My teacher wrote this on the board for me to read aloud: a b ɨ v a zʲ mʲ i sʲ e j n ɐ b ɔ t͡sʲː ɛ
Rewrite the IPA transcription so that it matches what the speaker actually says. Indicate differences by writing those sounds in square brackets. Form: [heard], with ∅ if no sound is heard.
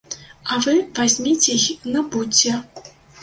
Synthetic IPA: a [v] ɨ v a zʲ mʲ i [t͡sʲ] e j n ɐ b [u] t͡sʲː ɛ